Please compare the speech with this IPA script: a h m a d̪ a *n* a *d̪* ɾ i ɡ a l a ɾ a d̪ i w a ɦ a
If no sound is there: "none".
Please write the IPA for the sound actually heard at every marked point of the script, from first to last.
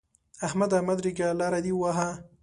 m, d̪

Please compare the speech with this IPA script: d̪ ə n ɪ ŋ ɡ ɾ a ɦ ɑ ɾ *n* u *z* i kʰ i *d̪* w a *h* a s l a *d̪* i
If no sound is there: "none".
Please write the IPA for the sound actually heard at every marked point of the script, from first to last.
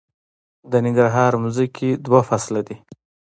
m, z, d̪, f, d̪

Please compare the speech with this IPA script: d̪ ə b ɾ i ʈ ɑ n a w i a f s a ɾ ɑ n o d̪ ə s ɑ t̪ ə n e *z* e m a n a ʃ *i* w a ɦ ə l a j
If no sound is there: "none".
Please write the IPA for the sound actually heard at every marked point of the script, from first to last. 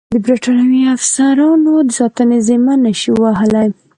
z, i

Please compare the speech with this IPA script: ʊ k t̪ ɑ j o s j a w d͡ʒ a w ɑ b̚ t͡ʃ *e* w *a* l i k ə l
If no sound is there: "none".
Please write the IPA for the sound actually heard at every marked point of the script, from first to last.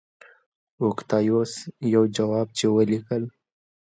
e, ə

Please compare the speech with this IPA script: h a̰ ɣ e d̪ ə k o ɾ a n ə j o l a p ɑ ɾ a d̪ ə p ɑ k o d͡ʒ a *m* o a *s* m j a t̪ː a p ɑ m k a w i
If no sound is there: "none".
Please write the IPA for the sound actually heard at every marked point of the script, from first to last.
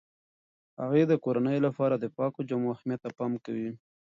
m, x

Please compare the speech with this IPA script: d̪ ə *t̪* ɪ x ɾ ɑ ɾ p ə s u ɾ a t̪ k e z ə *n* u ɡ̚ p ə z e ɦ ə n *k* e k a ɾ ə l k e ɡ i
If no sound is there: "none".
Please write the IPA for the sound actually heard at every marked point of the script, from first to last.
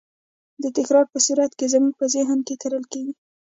t̪, m, k

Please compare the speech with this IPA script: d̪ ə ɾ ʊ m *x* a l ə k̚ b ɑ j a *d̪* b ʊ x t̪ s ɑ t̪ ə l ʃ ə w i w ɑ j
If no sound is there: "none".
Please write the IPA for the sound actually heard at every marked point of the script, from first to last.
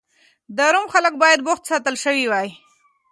x, d̪

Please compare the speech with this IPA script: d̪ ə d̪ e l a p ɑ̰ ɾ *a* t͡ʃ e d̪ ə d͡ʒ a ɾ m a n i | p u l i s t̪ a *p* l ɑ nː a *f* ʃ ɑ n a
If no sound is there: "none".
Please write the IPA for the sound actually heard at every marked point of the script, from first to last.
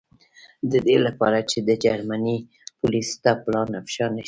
a, p, f

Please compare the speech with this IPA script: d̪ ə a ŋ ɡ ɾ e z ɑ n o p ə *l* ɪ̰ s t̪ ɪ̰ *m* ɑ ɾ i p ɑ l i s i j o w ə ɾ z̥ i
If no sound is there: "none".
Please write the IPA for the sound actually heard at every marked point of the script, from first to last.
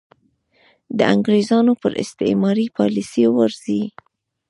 ɾ, m

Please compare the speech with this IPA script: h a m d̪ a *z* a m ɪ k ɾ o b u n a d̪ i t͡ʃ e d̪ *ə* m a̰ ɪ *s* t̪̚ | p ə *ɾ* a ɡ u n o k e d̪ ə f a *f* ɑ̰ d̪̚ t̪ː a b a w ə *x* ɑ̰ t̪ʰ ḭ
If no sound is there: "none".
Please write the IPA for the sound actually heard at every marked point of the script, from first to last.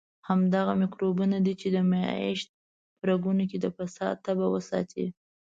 ɣ, ə, ʃ, ɾ, s, s

